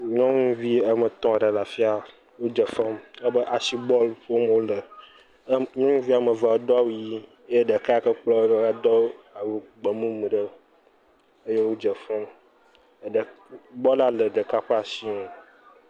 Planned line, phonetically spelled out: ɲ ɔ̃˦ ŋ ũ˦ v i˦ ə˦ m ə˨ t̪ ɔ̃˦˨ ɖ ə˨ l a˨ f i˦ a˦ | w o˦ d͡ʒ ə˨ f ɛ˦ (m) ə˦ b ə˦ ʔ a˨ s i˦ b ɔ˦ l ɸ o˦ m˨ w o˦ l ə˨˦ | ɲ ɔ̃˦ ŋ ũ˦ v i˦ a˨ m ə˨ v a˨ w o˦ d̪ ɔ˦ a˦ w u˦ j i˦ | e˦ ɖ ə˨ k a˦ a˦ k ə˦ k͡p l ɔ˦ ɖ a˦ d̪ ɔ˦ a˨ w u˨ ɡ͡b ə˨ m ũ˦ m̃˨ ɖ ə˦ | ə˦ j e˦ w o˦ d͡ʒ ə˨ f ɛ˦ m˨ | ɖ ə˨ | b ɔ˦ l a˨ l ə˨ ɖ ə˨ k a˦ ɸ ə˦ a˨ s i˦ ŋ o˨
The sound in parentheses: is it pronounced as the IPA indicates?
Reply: yes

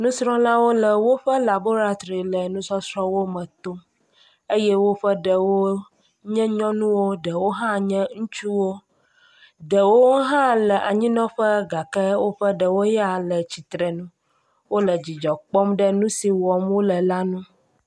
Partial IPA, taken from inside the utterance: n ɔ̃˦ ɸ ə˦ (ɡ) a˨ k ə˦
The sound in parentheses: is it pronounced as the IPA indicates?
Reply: yes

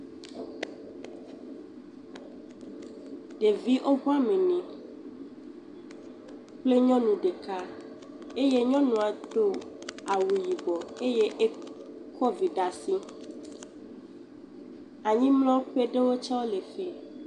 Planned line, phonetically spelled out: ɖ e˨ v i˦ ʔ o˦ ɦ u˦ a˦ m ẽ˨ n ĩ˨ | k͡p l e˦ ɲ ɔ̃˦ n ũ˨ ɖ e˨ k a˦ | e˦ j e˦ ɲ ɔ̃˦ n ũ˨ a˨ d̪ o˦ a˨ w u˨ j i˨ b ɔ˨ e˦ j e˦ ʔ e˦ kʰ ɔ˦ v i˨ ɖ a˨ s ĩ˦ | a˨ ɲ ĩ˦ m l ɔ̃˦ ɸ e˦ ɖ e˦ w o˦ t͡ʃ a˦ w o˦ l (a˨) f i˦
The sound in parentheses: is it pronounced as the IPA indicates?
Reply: no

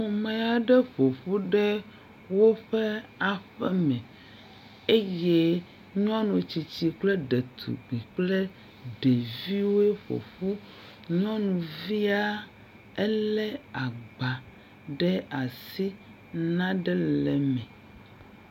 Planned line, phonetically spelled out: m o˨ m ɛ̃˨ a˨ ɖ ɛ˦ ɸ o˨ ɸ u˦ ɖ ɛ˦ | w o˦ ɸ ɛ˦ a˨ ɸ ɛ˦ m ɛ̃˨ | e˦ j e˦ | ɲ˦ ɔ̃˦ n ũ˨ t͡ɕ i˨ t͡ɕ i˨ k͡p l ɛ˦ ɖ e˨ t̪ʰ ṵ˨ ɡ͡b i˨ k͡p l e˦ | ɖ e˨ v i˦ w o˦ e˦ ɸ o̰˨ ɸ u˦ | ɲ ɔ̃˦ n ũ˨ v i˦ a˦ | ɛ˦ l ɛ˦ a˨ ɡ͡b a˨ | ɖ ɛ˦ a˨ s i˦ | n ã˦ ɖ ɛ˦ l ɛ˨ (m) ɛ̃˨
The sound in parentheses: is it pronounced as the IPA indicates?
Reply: yes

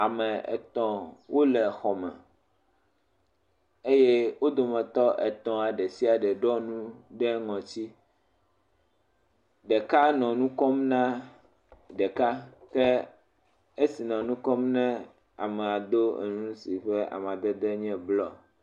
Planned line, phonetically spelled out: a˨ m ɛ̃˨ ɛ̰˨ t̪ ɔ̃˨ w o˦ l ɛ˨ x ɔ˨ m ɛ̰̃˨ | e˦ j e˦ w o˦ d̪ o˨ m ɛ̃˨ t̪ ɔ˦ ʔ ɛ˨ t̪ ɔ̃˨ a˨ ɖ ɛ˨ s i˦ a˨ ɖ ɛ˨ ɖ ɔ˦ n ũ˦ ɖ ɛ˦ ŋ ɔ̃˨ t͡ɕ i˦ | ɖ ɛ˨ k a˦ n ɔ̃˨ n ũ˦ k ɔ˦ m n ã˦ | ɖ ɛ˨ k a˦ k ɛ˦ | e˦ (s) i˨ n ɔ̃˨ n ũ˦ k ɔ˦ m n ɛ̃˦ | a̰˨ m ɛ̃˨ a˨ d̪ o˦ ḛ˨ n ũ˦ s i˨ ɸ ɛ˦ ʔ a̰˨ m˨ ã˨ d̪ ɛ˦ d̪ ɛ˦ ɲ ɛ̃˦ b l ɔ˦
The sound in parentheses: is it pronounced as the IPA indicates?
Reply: yes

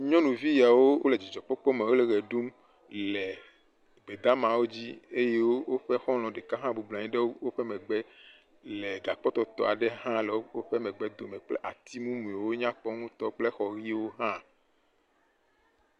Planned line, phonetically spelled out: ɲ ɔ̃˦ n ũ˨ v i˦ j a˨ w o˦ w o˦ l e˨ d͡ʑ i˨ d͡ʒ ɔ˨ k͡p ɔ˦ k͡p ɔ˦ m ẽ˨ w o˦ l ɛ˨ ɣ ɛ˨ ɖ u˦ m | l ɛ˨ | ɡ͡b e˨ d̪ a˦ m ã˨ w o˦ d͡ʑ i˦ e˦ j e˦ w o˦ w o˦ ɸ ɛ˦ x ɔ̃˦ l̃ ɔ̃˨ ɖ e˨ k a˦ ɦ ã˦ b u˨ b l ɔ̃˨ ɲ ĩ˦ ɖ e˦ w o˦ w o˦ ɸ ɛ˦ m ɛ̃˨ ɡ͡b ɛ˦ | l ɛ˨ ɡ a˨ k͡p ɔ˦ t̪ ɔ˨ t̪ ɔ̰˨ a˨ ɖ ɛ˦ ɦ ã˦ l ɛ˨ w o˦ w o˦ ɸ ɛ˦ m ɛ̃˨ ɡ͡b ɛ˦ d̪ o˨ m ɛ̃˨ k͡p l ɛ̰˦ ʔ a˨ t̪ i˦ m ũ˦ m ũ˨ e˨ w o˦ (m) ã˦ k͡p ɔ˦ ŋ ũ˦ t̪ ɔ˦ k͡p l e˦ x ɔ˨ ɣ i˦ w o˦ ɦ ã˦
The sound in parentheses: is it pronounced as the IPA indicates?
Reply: no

